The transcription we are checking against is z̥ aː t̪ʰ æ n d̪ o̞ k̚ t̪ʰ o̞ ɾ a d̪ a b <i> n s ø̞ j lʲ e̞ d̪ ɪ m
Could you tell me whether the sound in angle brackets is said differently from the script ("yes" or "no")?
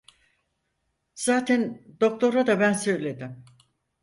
yes